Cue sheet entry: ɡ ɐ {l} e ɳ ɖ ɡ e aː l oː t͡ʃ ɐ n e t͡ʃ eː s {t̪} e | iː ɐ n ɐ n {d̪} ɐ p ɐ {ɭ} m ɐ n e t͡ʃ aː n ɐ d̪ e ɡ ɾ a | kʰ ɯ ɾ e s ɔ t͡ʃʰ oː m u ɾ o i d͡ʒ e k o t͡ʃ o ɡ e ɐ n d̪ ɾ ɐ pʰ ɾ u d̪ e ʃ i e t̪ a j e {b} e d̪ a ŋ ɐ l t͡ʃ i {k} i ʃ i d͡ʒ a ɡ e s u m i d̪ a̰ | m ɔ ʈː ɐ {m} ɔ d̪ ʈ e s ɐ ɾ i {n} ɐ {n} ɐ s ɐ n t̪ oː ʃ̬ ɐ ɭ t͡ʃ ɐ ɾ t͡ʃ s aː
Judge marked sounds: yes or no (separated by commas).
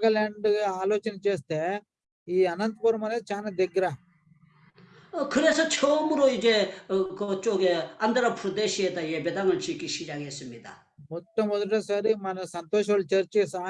yes, yes, no, no, yes, yes, yes, no, yes